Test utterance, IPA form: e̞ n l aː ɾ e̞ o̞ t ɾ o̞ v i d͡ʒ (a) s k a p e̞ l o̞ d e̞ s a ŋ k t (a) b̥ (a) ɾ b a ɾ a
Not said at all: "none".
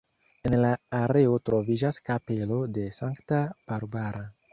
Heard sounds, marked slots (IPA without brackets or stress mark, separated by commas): a, a, a